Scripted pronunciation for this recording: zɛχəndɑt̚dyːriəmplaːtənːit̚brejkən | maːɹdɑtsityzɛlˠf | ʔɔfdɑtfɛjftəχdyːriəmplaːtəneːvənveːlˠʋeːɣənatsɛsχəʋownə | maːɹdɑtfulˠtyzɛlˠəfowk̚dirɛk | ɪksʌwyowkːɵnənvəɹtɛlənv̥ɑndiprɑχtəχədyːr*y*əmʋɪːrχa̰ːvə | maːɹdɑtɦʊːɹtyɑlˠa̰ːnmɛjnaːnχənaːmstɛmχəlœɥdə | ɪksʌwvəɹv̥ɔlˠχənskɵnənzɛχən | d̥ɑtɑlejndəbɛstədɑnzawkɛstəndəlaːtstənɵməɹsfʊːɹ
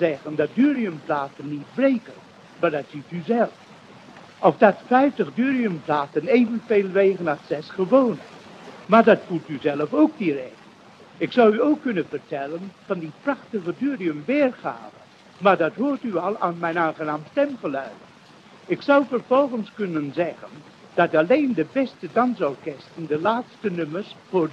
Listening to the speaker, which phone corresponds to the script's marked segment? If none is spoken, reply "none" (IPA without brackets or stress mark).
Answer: i